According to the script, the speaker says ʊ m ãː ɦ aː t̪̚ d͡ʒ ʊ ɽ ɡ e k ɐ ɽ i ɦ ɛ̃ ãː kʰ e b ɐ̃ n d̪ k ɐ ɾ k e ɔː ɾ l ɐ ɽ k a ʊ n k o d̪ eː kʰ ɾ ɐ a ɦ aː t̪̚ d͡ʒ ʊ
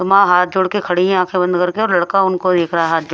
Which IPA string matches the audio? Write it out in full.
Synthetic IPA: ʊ m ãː ɦ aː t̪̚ d͡ʒ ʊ ɽ k e kʰ ɐ ɽ i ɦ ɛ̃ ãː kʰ e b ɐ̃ n d̪ k ɐ ɾ k e ɔː ɾ l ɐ ɽ k a ʊ n k o d̪ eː kʰ ɾ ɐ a ɦ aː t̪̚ d͡ʒ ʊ